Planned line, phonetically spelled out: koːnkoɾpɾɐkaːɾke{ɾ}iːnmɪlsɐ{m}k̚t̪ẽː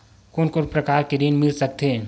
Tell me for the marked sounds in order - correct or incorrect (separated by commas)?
correct, incorrect